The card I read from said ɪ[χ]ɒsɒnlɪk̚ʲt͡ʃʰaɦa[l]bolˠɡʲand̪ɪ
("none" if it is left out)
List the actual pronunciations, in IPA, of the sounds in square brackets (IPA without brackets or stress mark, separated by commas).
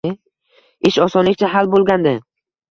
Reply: ʃ, l